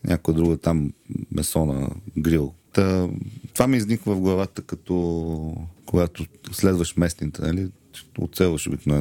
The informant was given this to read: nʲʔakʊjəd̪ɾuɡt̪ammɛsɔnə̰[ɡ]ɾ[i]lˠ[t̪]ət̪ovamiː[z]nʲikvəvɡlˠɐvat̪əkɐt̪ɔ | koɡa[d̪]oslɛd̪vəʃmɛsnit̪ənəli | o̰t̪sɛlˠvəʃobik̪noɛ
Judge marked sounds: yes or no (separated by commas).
yes, yes, yes, yes, no